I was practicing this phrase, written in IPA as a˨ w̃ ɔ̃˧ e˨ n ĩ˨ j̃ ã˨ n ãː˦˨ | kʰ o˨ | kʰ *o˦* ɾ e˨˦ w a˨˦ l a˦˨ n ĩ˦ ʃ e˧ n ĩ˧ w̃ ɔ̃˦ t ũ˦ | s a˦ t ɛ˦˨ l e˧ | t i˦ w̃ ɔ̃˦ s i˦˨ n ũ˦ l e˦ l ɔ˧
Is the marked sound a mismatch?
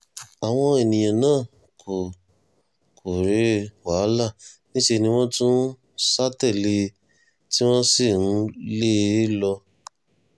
yes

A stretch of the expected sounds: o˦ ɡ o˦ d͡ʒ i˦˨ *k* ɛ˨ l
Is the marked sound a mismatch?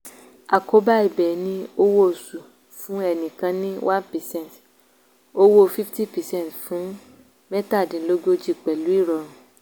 yes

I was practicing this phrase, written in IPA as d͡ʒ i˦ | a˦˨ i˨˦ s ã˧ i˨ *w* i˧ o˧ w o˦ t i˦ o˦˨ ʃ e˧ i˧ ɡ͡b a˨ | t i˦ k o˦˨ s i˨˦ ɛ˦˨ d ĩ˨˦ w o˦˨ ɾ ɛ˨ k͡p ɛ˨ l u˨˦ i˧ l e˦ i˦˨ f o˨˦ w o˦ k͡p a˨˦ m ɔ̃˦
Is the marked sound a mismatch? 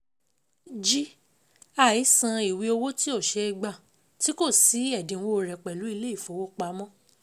no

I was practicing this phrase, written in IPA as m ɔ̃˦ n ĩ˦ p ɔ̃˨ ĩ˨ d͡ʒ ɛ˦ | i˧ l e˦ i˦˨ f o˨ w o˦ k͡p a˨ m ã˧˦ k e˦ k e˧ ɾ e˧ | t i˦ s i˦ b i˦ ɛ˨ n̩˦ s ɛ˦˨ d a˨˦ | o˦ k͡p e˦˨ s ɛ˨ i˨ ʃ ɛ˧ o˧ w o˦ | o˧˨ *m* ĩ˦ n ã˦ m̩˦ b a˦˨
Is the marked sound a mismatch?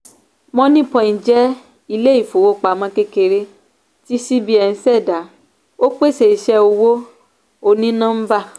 yes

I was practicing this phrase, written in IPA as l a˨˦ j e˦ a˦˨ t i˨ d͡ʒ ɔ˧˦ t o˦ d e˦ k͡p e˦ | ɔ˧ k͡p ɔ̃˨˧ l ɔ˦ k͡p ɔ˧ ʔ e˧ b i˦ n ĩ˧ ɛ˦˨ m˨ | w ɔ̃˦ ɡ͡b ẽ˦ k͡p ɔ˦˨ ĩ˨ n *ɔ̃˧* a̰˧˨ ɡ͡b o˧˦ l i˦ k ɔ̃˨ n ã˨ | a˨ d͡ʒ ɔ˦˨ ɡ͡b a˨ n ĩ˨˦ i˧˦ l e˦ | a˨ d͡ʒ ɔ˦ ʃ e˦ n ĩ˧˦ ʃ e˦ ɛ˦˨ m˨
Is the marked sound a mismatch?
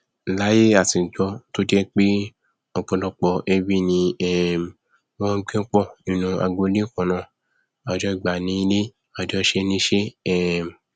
yes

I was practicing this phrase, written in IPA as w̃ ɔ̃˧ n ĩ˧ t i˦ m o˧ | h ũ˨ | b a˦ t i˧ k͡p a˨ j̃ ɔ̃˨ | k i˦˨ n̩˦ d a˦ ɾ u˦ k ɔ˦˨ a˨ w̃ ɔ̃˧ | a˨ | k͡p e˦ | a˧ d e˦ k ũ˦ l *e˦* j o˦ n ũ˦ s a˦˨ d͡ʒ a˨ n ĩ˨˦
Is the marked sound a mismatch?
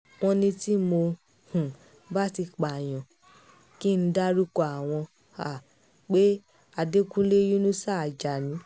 no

